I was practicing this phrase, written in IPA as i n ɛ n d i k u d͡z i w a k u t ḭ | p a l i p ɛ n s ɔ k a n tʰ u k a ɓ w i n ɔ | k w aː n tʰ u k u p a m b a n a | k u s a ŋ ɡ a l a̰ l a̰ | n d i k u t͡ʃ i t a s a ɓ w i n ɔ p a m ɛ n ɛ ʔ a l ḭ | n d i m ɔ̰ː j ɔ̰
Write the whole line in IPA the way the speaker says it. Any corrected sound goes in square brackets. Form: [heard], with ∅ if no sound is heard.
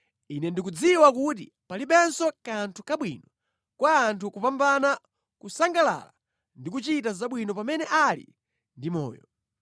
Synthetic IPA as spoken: i n ɛ n d i k u d͡z i w a k u t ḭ | p a l i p ɛ n s ɔ k a n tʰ u k a ɓ w i n ɔ | k w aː n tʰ u k u p a m b a n a | k u s a ŋ ɡ a l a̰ l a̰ | n d i k u t͡ʃ i t a [z] a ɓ w i n ɔ p a m ɛ n ɛ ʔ a l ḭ | n d i m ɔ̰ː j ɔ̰